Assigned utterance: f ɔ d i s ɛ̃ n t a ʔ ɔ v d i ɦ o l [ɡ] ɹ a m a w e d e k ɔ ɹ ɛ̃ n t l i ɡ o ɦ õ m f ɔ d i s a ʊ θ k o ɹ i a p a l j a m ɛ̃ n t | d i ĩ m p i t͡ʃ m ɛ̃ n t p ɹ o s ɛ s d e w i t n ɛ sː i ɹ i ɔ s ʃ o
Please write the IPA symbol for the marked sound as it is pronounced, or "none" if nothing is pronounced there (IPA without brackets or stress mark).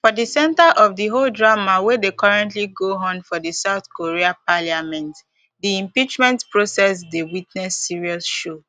d